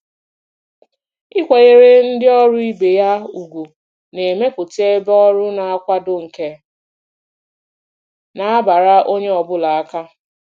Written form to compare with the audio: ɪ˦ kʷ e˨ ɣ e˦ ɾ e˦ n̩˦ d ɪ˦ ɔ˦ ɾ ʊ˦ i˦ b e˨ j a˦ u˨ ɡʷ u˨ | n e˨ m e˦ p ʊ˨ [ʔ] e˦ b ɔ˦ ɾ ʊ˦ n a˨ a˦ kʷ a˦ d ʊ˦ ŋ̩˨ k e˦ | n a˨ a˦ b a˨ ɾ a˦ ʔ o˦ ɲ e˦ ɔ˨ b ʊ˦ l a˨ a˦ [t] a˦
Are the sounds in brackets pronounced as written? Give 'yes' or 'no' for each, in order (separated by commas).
no, no